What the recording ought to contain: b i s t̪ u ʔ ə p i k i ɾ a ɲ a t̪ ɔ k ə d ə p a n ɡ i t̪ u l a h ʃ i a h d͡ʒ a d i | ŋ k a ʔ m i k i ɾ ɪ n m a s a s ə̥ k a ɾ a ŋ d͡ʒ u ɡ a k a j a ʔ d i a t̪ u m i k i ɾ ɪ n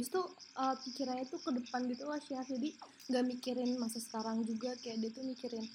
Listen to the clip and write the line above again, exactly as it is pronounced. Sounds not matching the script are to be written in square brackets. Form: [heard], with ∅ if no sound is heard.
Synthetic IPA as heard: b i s t̪ u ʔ ə p i k i ɾ a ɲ a t̪ [u] k ə d ə p a n ɡ i t̪ u l a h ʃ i a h d͡ʒ a d i | ŋ [ɡ] a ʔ m i k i ɾ ɪ n m a s a s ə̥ k a ɾ a ŋ d͡ʒ u ɡ a k a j a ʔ d i a t̪ u m i k i ɾ ɪ n